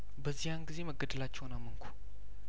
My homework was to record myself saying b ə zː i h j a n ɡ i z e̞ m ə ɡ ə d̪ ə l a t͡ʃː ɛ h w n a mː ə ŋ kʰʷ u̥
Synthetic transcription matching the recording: b ə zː i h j a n ɡ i z e̞ m ə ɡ ə d̪ ə l a t͡ʃː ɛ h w n a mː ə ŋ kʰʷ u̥